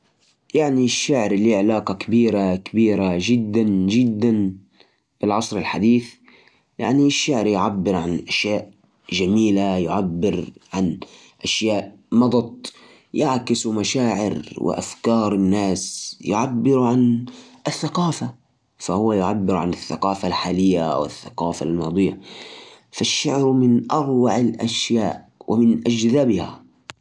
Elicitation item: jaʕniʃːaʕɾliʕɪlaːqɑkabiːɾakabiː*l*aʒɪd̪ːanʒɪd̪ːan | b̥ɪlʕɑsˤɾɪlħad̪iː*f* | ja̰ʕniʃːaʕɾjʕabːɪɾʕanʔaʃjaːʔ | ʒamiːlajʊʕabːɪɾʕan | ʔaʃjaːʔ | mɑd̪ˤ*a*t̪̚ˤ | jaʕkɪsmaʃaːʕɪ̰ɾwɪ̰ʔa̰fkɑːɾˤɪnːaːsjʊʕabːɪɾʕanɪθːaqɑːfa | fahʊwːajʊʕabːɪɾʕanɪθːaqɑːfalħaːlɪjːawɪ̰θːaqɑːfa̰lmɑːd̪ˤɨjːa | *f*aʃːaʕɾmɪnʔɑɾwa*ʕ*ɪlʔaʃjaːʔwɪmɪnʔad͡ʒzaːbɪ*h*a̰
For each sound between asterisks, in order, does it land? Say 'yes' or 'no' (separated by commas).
no, no, no, yes, yes, yes